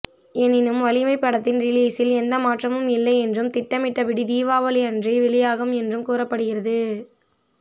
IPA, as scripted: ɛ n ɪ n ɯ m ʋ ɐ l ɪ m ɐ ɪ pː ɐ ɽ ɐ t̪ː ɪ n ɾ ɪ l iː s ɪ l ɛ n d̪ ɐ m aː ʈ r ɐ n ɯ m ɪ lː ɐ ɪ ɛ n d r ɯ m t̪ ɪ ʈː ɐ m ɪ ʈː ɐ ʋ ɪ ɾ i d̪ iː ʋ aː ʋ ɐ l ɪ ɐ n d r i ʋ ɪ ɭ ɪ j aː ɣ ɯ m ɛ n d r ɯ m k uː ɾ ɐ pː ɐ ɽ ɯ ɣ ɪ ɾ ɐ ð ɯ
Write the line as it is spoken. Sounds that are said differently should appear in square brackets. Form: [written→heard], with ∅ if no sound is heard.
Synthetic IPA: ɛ n ɪ n ɯ m ʋ ɐ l ɪ m ɐ ɪ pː ɐ ɽ ɐ t̪ː ɪ n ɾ ɪ l iː s ɪ l ɛ n d̪ ɐ m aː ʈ r ɐ [n→m] ɯ m ɪ lː ɐ ɪ ɛ n d r ɯ m t̪ ɪ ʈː ɐ m ɪ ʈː ɐ ʋ ɪ [ɾ→ɽ] i d̪ iː ʋ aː ʋ ɐ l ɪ ɐ n d r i ʋ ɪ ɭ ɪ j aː ɣ ɯ m ɛ n d r ɯ m k uː ɾ ɐ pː ɐ ɽ ɯ ɣ ɪ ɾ ɐ ð ɯ